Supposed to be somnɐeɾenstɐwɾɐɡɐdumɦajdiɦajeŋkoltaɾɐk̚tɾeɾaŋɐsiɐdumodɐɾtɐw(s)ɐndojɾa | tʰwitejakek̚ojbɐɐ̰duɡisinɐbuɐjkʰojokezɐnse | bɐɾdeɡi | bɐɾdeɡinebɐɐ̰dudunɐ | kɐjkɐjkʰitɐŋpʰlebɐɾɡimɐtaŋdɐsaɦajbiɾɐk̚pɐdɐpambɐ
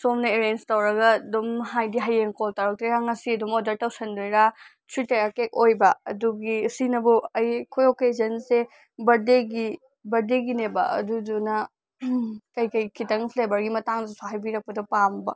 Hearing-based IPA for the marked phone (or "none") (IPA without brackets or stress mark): s